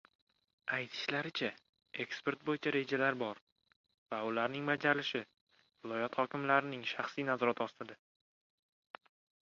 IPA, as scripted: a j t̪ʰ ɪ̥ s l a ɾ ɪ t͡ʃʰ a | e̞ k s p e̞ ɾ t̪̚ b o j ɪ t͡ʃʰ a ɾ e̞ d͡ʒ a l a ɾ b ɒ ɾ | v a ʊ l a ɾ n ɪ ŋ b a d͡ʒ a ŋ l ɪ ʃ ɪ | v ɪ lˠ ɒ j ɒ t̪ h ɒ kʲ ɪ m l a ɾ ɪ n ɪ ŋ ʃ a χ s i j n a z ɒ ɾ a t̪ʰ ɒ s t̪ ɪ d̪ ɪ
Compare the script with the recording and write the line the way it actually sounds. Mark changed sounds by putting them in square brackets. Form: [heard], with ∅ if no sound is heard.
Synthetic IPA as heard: a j t̪ʰ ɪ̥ [ʃ] l a ɾ ɪ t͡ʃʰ a | e̞ k s p e̞ ɾ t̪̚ b o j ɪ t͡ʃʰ a ɾ e̞ d͡ʒ a l a ɾ b ɒ ɾ | v a ʊ l a ɾ n ɪ ŋ b a d͡ʒ a [∅] l ɪ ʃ ɪ | v ɪ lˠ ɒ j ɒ t̪ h ɒ kʲ ɪ m l a ɾ ɪ n ɪ ŋ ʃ a χ s i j n a z ɒ ɾ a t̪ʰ ɒ s t̪ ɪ d̪ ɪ